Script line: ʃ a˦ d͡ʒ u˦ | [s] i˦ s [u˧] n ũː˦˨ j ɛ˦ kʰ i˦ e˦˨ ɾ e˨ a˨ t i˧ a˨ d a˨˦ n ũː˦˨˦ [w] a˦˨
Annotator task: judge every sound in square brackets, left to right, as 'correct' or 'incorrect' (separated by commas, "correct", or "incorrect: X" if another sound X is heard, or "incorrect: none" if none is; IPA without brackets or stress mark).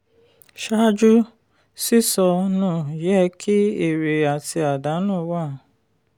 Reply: correct, incorrect: ɔ˧, correct